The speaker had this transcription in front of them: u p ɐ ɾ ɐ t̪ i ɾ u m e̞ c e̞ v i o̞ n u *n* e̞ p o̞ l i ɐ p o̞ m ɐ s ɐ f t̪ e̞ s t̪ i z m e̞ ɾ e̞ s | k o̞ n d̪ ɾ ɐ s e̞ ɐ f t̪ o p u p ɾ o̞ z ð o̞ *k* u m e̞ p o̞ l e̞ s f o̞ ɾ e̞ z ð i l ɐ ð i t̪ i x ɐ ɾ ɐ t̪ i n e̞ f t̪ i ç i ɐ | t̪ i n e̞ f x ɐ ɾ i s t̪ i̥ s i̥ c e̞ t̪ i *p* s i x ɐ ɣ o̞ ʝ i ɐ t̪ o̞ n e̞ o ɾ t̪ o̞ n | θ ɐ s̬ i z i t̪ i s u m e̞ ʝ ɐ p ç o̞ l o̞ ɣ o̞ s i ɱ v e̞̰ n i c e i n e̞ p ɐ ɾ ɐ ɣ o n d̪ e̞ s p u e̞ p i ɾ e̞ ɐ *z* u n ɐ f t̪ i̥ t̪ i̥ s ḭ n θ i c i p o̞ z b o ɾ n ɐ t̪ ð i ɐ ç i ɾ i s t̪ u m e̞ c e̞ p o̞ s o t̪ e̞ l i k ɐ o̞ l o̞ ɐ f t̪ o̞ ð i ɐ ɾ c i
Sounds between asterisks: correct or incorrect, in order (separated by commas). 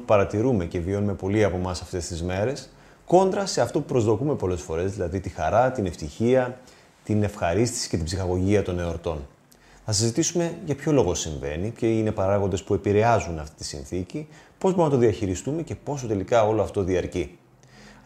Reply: incorrect, correct, incorrect, correct